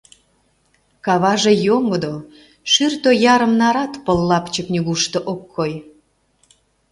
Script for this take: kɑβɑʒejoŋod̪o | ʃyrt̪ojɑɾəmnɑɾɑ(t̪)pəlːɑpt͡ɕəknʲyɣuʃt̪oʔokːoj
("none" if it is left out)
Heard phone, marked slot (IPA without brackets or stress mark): t̪